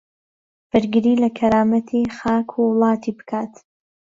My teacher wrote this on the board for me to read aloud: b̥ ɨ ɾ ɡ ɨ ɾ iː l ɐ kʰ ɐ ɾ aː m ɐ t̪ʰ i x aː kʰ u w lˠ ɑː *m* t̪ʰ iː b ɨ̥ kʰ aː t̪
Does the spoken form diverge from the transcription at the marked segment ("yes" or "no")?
yes